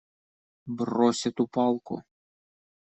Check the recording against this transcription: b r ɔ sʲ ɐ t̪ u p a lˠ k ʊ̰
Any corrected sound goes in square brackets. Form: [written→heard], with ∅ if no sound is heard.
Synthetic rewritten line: b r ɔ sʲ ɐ t̪ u p [a→ɑ] lˠ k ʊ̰